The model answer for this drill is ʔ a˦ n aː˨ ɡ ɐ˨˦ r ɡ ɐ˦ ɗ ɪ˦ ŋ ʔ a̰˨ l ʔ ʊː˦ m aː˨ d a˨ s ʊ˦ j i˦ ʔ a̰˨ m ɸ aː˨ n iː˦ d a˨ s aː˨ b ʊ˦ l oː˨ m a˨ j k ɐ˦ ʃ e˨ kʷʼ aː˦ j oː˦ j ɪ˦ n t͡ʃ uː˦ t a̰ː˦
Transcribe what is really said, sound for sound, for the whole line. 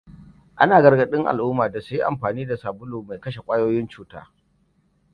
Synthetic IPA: ʔ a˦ n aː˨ ɡ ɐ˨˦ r ɡ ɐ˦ ɗ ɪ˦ ŋ ʔ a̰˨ l ʔ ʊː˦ m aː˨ d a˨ s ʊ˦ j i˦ ʔ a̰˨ m ɸ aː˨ n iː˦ d a˨ s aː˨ b ʊ˦ l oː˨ m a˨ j k ɐ˦ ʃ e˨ kʷʼ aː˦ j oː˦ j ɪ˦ n t͡ʃ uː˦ t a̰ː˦

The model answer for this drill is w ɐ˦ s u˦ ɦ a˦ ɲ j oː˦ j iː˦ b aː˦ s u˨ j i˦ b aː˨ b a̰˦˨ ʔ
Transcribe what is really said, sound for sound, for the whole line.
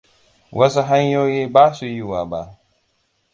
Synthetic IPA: w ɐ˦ s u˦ ɦ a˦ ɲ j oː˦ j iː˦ b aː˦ s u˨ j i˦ w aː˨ b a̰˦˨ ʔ

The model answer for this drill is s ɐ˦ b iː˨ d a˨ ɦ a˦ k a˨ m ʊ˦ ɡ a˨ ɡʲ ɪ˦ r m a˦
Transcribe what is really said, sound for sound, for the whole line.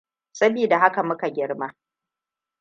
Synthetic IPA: s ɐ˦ b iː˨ d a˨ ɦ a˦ k a˨ m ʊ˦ k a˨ ɡʲ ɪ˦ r m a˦

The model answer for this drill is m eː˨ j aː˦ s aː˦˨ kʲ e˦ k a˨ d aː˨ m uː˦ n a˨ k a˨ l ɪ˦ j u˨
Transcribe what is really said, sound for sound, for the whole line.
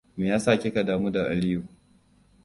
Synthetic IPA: m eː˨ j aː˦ s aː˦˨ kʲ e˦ k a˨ d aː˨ m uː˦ d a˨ ʔ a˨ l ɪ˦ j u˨

